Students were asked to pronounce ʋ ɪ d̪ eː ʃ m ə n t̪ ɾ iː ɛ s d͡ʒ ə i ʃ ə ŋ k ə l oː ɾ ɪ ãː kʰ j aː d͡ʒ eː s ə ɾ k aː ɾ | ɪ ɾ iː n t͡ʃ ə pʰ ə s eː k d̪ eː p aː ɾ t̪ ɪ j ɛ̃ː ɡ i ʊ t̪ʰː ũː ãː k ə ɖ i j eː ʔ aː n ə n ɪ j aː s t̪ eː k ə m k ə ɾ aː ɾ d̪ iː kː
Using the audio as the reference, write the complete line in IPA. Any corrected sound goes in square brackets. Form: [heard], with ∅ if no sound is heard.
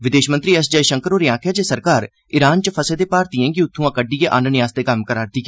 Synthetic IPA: ʋ ɪ d̪ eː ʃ m ə n t̪ ɾ iː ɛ s d͡ʒ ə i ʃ ə ŋ k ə [ɾ] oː ɾ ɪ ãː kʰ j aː d͡ʒ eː s ə ɾ k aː ɾ | ɪ ɾ [aː] n t͡ʃ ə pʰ ə s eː [∅] d̪ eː p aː ɾ t̪ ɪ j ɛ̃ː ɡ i ʊ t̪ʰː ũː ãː k ə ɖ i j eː ʔ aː n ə n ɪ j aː s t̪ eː k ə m k ə ɾ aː ɾ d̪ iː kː

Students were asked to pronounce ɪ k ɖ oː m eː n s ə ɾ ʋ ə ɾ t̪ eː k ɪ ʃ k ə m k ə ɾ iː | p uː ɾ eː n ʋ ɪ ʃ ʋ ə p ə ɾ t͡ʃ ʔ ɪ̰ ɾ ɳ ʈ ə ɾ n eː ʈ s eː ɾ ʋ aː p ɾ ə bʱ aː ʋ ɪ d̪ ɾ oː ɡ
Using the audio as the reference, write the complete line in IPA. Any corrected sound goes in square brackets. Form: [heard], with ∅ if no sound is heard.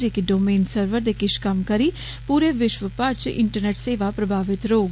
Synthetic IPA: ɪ k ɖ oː m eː n s ə ɾ ʋ ə ɾ [d̪] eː k ɪ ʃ k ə m k ə ɾ iː | p uː ɾ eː [∅] ʋ ɪ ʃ ʋ ə p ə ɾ t͡ʃ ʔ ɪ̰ [∅] ɳ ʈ ə ɾ n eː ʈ s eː [∅] ʋ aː p ɾ ə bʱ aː ʋ ɪ [t̪] ɾ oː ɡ

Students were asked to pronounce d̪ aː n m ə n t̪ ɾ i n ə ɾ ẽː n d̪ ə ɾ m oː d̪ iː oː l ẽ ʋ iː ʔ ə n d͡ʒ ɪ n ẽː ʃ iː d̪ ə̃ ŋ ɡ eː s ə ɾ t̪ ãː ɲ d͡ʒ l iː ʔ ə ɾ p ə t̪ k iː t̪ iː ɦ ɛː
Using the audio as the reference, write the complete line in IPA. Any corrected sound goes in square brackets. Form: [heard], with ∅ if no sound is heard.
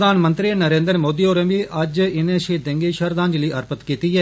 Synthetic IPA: d̪ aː n m ə n t̪ ɾ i n ə ɾ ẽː n d̪ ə ɾ m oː d̪ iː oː [ɾ] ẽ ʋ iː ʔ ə [∅] d͡ʒ ɪ n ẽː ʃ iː d̪ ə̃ ŋ ɡ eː [ʃ] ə ɾ [d̪] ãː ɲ d͡ʒ l iː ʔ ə ɾ p ə t̪ k iː t̪ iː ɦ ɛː

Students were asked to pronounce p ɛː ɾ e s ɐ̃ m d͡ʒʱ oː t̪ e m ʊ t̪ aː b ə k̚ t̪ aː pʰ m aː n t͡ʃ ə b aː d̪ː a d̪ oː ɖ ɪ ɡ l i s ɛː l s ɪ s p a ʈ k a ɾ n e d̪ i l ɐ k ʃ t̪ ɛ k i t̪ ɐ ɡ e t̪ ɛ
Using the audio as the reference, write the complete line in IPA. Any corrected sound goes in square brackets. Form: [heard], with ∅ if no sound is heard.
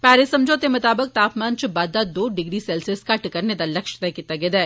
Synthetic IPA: p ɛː ɾ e s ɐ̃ m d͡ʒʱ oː t̪ e m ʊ t̪ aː b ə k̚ t̪ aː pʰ m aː n t͡ʃ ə b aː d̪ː a d̪ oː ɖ ɪ ɡ [ɾ] i s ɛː l s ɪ s [k] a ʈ k [ɐ] ɾ n e d̪ [a] l ɐ k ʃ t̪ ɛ k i t̪ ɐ ɡ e [d̪] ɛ

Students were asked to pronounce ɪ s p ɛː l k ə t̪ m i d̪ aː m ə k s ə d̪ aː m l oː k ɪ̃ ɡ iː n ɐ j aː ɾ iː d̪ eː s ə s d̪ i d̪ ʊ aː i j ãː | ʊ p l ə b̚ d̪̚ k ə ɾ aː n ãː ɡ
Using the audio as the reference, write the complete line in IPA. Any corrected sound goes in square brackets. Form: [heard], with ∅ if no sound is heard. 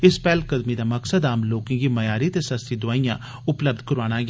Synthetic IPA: ɪ s p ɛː l k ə [d̪] m i d̪ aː m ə k s ə d̪ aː m l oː k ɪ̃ ɡ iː [m] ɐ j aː ɾ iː [t̪] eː s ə s [t̪] i d̪ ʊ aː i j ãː | ʊ p l ə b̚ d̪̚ k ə ɾ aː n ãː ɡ

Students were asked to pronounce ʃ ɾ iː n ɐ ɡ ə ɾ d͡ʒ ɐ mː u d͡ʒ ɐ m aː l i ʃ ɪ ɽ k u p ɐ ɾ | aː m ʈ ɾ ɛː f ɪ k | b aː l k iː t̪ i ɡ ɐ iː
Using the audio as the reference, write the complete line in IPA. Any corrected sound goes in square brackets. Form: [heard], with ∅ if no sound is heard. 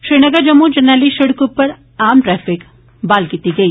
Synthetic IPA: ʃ ɾ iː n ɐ ɡ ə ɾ d͡ʒ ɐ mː u d͡ʒ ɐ [n] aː l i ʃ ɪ ɽ k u p ɐ ɾ | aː m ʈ ɾ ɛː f ɪ k | b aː l k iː t̪ i ɡ ɐ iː

